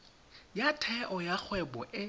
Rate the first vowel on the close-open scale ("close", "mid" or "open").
open